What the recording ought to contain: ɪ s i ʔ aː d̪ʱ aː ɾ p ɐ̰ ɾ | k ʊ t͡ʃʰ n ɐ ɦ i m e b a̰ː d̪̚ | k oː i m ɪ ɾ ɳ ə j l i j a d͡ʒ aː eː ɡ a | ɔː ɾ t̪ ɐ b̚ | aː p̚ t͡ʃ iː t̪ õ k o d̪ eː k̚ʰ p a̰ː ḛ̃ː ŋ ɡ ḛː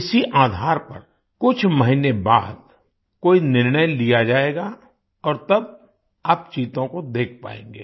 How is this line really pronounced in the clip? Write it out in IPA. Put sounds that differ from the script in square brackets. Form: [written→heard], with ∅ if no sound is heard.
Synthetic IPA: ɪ s i ʔ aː d̪ʱ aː ɾ p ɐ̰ ɾ | k ʊ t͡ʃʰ [n→m] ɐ ɦ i [m→n] e b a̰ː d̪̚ | k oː i [m→n] ɪ ɾ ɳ ə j l i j a d͡ʒ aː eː ɡ a | ɔː ɾ t̪ ɐ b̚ | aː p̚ t͡ʃ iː t̪ õ k o d̪ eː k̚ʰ p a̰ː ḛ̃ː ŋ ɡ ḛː